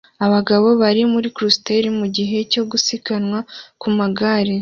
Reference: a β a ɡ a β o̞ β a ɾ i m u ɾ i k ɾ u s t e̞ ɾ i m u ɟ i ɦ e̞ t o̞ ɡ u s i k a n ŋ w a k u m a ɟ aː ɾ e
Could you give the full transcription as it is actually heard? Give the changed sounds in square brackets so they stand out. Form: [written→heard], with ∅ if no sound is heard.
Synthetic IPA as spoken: a β a ɡ a β o̞ β a ɾ i m u ɾ i k ɾ u s t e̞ ɾ i m u ɟ i ɦ e̞ [t→c] o̞ ɡ u s i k a n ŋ w a k u m a [ɟ→ɡ] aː ɾ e